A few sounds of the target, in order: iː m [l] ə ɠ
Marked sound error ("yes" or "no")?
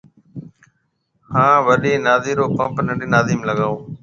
no